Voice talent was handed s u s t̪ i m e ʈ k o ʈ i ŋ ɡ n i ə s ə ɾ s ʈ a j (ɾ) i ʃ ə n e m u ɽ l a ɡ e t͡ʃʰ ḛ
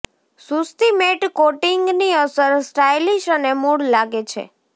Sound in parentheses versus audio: incorrect: l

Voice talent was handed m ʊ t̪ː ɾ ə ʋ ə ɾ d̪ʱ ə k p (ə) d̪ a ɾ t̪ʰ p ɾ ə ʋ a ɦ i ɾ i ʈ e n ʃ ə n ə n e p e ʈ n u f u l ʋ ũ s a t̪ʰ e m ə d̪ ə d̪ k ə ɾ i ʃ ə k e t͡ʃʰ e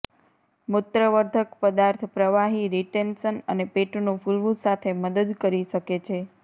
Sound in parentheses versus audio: correct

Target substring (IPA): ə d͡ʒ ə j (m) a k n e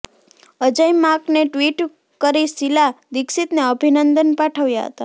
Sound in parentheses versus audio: correct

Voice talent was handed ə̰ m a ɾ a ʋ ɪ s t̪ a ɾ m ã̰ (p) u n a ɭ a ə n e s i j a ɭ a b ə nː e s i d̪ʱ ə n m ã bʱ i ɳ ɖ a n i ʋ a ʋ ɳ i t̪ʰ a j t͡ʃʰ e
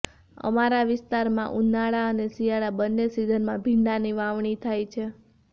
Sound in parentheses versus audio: incorrect: ʔ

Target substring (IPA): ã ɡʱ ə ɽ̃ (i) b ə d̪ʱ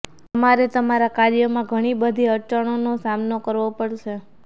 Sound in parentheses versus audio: correct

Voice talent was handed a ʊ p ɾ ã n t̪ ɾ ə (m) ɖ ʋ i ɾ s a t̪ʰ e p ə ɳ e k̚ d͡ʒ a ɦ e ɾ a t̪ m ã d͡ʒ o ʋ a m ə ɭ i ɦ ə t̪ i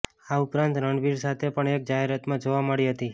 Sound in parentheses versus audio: incorrect: ɳ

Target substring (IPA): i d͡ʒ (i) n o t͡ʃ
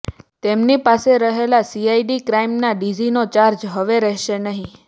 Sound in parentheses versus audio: correct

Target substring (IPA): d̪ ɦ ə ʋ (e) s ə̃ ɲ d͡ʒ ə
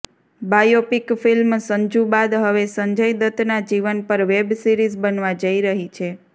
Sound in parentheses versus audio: correct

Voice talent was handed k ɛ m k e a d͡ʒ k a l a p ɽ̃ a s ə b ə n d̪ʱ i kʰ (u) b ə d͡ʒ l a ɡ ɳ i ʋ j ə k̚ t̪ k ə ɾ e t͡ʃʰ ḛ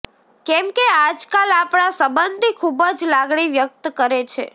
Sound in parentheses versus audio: correct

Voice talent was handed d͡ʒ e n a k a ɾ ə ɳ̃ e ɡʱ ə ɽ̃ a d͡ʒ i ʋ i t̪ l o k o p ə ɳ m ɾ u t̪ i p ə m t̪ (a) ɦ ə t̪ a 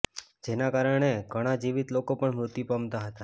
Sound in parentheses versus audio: correct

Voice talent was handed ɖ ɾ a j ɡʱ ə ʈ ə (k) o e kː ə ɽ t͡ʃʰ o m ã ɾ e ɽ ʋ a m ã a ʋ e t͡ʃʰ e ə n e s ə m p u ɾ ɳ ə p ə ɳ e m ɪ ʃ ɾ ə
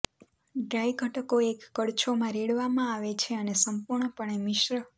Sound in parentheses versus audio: correct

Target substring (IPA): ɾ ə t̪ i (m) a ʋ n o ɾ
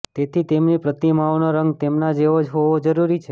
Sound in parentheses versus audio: correct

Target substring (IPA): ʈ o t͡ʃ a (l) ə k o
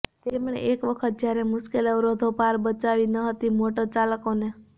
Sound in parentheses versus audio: correct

